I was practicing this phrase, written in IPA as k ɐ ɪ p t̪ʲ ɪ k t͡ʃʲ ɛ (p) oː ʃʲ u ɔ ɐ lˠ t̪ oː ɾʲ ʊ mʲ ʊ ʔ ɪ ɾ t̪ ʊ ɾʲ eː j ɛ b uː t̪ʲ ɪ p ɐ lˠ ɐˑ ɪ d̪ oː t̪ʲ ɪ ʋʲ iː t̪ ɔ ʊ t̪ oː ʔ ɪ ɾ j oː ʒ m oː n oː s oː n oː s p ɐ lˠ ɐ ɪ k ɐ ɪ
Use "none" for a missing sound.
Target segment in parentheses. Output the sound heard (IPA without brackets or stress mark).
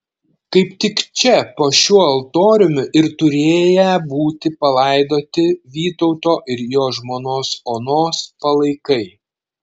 p